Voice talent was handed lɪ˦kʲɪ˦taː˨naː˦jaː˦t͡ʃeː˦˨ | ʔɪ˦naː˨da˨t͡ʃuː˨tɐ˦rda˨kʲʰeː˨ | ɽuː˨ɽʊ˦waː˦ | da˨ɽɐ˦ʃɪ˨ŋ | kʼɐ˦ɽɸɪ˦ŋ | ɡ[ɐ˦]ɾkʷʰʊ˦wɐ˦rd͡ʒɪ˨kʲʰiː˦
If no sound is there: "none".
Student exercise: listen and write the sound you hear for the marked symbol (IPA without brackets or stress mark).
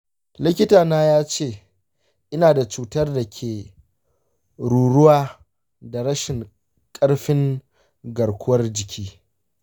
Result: ɐ˨